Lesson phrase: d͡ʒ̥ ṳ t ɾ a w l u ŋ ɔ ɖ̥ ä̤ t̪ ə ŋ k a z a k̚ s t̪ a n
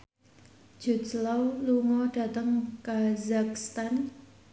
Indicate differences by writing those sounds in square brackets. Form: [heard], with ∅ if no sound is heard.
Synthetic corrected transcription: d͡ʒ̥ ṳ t [l] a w l u ŋ ɔ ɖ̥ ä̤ t̪ ə ŋ k a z a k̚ s t̪ a n